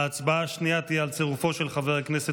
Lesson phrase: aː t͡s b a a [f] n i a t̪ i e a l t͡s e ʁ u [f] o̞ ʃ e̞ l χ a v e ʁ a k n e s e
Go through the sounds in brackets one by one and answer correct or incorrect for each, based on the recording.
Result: incorrect, correct

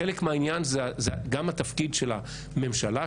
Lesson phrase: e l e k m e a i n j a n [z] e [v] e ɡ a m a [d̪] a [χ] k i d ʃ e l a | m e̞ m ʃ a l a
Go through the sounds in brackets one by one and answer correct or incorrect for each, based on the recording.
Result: correct, incorrect, incorrect, incorrect

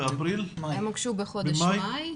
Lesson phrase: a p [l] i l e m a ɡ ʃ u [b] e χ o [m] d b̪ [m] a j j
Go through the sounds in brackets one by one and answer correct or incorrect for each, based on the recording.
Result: incorrect, correct, incorrect, correct

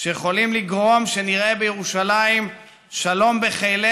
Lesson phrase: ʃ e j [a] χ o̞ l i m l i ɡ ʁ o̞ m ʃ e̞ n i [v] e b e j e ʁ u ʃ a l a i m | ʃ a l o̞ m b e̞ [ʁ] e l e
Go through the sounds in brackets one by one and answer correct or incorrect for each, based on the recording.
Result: incorrect, incorrect, incorrect

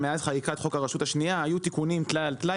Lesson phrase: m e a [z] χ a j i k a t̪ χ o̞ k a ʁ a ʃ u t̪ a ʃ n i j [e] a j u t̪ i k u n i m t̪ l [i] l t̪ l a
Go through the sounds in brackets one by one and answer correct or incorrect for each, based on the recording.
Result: correct, incorrect, incorrect

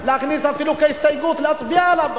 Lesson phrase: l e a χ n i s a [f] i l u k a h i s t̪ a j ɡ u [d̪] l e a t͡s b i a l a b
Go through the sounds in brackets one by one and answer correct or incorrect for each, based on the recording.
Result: correct, incorrect

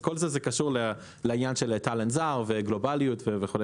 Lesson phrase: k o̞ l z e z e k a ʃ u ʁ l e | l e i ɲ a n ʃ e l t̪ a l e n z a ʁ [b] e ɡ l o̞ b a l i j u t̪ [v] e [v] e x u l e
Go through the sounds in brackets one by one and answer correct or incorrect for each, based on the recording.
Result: incorrect, correct, correct

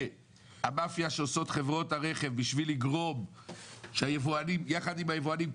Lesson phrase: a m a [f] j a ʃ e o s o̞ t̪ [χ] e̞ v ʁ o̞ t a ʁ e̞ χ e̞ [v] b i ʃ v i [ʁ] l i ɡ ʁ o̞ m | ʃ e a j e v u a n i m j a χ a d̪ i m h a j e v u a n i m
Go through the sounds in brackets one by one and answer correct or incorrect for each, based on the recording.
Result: correct, correct, correct, incorrect

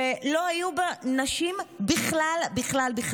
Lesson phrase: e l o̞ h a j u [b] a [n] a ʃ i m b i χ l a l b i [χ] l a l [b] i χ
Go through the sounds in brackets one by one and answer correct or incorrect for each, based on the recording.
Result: correct, correct, correct, correct

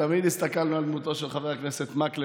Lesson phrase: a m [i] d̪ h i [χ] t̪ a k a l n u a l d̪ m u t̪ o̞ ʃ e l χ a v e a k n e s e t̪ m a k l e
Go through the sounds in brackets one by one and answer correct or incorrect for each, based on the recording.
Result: correct, incorrect

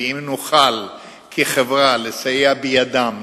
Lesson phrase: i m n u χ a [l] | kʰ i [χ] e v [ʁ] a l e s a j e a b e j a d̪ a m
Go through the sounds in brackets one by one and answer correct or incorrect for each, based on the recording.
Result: correct, correct, correct

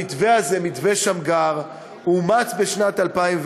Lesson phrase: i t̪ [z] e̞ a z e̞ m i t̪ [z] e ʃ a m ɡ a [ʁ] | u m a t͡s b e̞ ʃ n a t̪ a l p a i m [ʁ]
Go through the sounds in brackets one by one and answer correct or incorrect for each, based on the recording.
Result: incorrect, incorrect, correct, incorrect

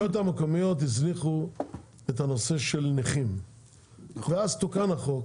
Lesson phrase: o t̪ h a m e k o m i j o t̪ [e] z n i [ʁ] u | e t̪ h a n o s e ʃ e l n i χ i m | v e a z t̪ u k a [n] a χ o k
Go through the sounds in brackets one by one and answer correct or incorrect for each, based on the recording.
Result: incorrect, incorrect, correct

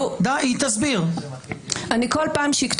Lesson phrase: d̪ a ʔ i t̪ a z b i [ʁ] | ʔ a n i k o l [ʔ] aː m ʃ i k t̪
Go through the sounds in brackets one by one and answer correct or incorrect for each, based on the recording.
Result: correct, incorrect

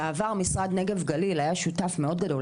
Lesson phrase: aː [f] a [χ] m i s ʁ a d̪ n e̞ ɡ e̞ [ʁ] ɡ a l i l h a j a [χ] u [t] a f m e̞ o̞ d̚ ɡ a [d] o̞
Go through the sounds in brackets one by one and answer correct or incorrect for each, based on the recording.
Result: incorrect, incorrect, incorrect, incorrect, correct, correct

